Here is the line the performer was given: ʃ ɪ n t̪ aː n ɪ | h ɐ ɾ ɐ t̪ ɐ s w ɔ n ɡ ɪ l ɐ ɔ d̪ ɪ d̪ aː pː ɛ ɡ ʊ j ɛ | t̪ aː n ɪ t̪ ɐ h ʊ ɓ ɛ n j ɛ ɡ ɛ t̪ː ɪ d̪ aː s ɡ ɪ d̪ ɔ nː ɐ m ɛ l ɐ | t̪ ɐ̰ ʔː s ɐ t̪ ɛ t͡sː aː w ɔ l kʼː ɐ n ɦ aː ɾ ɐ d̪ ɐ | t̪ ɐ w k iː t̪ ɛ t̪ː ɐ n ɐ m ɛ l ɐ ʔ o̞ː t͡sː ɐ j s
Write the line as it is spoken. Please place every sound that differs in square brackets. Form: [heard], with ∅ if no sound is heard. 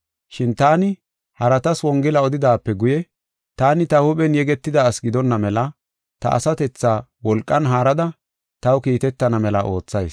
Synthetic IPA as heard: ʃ ɪ n t̪ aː n ɪ | h ɐ ɾ ɐ t̪ ɐ s w ɔ [ŋ] ɡ ɪ l ɐ ɔ d̪ ɪ d̪ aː pː ɛ ɡ ʊ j ɛ | t̪ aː n ɪ t̪ ɐ h ʊ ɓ ɛ n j ɛ ɡ ɛ t̪ː ɪ d̪ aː s ɡ ɪ d̪ ɔ nː ɐ m ɛ l ɐ | t̪ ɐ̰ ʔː s ɐ t̪ ɛ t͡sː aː w ɔ l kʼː ɐ n ɦ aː ɾ ɐ d̪ ɐ | t̪ ɐ w k iː t̪ ɛ t̪ː ɐ n ɐ m ɛ l ɐ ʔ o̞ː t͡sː ɐ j s